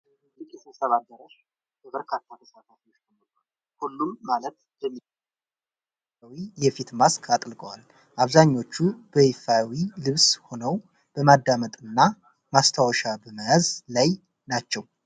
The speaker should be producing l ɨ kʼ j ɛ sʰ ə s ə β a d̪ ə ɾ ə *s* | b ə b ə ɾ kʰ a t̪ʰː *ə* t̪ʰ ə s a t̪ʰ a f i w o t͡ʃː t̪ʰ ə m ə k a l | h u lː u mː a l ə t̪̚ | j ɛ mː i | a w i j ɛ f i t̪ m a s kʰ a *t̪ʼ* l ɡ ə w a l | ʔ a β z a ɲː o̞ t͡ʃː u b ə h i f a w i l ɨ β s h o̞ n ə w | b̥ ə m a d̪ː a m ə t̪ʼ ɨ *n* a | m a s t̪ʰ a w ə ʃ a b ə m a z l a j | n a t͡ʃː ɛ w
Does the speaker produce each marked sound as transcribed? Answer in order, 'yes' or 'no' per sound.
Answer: no, no, yes, no

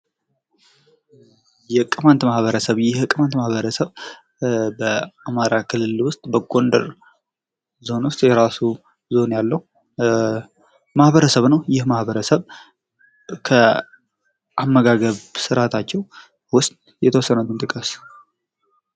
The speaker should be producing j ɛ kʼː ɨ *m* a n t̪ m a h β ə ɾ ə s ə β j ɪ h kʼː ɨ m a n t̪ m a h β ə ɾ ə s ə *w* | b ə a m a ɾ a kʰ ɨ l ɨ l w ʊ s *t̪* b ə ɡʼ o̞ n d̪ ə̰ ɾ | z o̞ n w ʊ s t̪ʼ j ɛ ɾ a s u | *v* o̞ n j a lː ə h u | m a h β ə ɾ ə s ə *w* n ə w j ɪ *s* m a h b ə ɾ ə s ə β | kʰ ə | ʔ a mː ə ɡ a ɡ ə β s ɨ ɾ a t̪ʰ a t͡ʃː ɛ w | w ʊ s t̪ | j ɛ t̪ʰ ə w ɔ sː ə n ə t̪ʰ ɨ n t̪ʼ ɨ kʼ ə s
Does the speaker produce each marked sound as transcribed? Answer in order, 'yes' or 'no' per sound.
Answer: yes, no, no, no, no, no

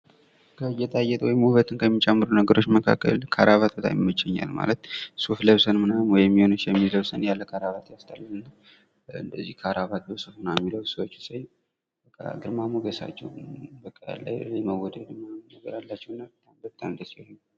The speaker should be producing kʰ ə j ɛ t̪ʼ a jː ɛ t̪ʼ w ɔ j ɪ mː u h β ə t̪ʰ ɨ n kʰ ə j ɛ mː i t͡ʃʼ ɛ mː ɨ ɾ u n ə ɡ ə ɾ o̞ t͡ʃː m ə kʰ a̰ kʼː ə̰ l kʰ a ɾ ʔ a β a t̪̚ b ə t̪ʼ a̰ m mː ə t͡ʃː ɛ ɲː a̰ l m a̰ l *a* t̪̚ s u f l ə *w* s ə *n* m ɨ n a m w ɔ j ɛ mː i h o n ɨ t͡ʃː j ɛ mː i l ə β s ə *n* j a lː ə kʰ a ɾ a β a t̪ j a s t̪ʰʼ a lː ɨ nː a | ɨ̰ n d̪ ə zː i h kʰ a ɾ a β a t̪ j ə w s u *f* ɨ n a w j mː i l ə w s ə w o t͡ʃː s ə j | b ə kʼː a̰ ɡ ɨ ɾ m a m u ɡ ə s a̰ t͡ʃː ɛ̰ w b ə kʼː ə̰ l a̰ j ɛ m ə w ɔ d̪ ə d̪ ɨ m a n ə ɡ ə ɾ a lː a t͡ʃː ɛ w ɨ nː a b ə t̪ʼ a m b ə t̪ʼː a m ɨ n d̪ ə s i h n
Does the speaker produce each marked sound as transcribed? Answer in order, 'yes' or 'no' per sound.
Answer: no, no, yes, yes, yes

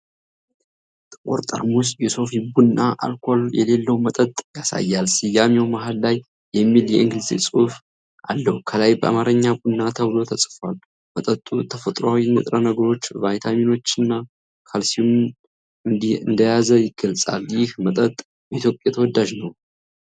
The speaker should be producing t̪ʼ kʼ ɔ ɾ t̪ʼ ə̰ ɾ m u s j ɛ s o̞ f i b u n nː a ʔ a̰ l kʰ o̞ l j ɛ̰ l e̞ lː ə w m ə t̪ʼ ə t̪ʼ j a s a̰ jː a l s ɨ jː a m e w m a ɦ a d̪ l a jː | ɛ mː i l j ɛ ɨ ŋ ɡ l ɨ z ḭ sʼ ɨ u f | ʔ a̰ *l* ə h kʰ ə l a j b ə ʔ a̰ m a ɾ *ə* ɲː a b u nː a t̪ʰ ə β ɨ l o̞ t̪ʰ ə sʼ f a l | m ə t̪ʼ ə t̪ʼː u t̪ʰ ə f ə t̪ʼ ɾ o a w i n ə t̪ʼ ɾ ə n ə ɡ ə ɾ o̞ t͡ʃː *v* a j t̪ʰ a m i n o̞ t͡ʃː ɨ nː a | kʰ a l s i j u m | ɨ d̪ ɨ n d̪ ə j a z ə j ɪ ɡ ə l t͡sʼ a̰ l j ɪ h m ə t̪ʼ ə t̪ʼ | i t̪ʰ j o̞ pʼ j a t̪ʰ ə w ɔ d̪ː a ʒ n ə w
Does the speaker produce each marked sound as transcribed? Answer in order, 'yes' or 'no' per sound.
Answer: no, yes, yes

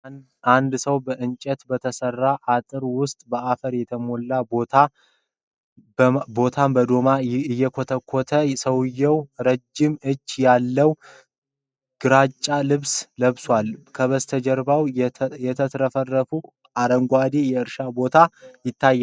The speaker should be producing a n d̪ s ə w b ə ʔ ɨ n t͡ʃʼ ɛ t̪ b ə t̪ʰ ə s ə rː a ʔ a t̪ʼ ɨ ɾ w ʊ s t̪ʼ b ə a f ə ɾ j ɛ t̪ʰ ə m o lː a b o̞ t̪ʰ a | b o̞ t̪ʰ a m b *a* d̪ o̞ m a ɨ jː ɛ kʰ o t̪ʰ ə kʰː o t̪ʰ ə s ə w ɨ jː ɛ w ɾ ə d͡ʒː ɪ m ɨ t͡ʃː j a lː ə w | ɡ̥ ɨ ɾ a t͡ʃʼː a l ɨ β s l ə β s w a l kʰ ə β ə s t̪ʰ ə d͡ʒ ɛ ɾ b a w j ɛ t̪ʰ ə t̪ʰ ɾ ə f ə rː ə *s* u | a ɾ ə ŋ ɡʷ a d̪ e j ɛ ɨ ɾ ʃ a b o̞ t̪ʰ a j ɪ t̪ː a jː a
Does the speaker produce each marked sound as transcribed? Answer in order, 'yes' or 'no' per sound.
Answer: no, no

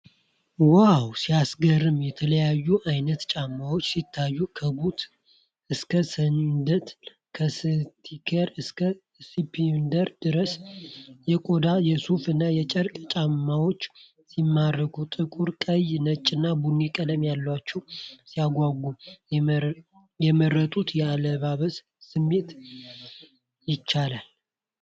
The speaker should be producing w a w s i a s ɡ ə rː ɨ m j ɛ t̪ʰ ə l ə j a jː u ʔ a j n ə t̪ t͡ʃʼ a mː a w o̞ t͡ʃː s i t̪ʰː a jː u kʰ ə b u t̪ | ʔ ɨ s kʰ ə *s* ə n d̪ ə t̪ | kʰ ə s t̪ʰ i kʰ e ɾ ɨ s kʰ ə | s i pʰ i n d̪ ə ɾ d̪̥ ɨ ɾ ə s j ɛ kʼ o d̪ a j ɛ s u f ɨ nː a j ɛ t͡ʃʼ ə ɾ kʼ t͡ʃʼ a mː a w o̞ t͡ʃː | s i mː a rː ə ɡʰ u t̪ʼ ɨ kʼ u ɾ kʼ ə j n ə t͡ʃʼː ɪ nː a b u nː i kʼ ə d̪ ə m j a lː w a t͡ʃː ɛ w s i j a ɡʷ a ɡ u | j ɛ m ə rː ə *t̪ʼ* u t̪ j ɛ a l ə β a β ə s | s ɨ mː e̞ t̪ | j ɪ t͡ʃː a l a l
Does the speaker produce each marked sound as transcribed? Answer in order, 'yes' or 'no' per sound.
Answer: yes, yes

